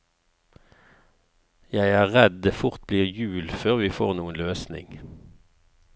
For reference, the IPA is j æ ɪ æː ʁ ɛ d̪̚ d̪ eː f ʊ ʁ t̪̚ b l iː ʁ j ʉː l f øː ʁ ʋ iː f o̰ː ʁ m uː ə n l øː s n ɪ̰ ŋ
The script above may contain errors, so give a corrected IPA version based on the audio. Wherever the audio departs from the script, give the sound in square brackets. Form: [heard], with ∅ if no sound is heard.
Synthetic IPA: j æ ɪ æː ʁ ɛ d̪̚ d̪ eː f ʊ ʁ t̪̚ b l iː ʁ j ʉː l f øː ʁ ʋ iː f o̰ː ʁ [n] uː ə n l øː s n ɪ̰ ŋ